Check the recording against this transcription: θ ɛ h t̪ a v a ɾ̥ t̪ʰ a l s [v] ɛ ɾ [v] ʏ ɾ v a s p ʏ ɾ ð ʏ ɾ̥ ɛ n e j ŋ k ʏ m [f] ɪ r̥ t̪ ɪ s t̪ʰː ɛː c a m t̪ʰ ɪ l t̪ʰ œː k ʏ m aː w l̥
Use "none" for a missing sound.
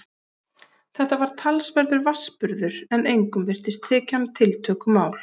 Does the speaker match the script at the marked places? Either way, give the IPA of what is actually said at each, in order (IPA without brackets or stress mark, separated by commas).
v, ð, v